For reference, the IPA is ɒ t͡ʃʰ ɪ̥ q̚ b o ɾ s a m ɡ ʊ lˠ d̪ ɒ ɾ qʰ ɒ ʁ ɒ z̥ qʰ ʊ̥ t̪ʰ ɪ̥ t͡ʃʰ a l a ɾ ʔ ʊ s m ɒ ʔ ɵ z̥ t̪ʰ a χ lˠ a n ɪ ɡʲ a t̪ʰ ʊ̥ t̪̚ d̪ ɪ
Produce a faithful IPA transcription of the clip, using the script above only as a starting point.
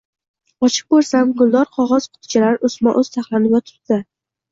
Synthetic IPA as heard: ɒ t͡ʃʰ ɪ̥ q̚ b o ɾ s a m ɡ ʊ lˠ d̪ ɒ ɾ qʰ ɒ ʁ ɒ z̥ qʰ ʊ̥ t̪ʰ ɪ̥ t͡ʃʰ a l a ɾ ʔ ʊ s m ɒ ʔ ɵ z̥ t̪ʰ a χ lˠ a n ɪ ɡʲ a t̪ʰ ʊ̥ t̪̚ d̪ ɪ